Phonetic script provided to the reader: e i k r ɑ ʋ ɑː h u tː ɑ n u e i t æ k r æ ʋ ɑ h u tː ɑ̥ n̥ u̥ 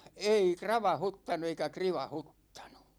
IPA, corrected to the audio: e i k r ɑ ʋ ɑ h u tː ɑ n u e i k æ k r i ʋ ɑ h u tː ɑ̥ n̥ u̥